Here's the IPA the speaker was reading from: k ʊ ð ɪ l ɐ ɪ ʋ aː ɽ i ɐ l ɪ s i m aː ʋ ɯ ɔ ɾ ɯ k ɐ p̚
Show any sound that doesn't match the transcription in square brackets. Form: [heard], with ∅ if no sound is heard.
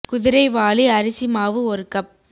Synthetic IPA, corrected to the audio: k ʊ ð ɪ [ɾ] ɐ ɪ ʋ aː [l] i ɐ [ɾ] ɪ s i m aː ʋ ɯ ɔ ɾ ɯ k ɐ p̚